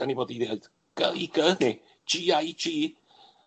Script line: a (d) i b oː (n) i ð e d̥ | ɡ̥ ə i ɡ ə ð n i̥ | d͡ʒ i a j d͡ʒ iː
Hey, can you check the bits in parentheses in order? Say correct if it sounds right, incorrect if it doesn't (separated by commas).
incorrect, incorrect